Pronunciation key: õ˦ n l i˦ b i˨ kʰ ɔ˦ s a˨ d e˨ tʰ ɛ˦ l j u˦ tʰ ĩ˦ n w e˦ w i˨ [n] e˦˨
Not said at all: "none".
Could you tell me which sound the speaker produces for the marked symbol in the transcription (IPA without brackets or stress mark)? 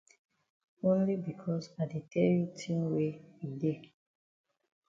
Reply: d